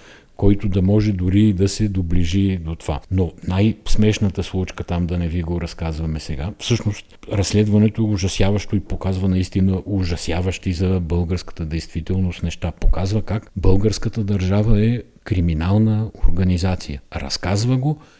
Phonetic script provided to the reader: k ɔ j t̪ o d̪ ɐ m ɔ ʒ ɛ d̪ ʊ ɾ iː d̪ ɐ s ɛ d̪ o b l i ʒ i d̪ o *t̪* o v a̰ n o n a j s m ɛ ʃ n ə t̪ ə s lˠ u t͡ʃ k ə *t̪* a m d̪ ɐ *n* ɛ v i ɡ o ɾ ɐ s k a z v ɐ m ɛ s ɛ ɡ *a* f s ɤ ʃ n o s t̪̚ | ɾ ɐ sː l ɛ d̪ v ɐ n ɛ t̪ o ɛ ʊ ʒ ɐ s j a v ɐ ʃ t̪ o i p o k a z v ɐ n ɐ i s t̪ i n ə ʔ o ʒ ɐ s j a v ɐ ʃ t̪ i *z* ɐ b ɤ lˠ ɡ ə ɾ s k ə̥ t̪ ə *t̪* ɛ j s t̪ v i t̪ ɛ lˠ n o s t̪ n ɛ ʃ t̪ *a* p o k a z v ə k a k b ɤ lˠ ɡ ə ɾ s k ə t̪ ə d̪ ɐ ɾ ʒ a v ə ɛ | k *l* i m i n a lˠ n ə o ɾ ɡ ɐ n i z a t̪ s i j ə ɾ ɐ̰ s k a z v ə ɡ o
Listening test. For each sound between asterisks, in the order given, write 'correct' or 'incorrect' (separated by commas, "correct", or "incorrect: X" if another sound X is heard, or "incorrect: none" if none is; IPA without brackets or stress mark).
correct, correct, correct, correct, correct, incorrect: d̪, correct, incorrect: ɾ